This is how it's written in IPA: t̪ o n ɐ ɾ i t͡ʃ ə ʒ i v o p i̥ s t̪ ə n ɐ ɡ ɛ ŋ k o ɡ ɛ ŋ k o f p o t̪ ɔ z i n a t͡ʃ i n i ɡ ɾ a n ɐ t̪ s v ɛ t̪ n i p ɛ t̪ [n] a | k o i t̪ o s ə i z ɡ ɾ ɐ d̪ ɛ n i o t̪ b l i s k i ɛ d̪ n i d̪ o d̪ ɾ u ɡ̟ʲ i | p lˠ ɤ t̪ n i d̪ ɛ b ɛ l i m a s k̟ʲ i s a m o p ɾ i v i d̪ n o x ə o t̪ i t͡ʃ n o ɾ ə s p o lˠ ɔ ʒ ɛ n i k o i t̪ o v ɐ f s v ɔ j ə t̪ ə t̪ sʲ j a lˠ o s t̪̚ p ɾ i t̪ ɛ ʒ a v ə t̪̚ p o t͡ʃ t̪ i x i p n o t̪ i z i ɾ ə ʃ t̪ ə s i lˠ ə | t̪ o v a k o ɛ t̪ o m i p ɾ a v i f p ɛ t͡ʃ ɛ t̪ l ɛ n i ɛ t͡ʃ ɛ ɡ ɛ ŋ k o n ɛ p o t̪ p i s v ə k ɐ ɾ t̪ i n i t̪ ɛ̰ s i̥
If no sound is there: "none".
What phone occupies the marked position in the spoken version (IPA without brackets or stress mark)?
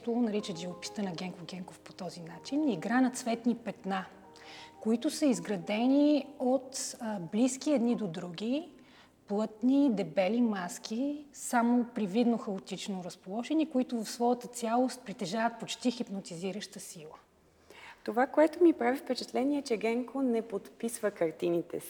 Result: n